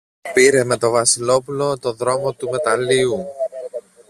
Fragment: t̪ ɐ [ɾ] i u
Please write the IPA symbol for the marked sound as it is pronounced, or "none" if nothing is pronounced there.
l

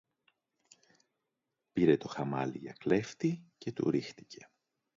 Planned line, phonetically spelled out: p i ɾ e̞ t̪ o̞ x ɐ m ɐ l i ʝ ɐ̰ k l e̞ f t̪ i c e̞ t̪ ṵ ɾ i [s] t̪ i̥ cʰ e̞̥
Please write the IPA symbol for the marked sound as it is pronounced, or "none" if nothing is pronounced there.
x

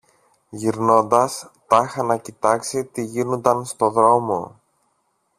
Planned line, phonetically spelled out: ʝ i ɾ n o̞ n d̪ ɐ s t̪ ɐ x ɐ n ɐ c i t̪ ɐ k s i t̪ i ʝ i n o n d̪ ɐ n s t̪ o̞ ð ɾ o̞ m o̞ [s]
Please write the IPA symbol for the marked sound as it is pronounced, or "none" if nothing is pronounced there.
none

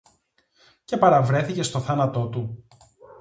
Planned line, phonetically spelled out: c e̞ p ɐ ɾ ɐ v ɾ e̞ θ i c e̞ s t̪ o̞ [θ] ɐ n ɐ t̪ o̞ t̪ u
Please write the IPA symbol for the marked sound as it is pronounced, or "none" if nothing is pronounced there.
θ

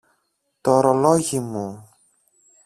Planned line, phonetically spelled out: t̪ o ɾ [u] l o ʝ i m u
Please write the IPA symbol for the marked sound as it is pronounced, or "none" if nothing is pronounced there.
o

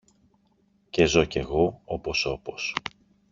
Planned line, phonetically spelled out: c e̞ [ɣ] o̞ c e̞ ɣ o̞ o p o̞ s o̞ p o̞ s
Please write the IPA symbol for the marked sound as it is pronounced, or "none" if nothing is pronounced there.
z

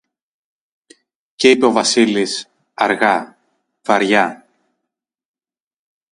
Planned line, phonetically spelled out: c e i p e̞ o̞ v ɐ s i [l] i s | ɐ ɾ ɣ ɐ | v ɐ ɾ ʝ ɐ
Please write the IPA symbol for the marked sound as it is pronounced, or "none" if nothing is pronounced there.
l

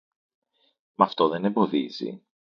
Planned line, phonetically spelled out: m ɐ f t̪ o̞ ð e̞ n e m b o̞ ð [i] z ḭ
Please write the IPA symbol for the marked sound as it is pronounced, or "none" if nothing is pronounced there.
i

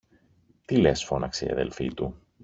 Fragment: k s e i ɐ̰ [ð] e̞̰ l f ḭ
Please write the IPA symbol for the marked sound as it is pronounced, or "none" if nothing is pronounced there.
ð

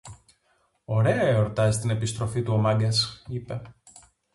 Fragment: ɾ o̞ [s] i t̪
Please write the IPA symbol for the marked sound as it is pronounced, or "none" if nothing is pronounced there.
f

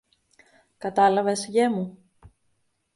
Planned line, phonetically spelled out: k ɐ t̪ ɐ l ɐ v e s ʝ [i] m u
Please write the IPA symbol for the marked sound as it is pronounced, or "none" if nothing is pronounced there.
e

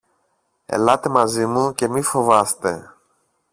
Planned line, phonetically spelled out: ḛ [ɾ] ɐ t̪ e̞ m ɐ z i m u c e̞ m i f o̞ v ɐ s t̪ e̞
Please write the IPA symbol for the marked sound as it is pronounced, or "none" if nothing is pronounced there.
l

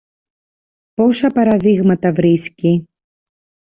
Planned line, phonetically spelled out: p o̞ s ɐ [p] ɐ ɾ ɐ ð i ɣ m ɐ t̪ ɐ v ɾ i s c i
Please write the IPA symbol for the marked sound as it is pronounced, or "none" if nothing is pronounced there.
p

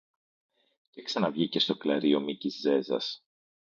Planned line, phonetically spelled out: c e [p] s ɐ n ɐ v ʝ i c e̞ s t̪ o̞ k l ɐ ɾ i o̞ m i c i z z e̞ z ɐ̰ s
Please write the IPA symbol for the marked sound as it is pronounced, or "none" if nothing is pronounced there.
k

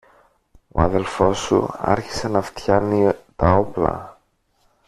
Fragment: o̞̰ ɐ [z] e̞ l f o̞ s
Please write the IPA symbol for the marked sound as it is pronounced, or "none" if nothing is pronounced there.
ð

